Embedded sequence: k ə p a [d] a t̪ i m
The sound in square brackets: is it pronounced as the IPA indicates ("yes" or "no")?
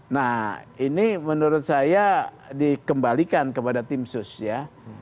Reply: yes